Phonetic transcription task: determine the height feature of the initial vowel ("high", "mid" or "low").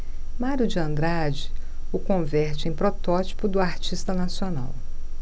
low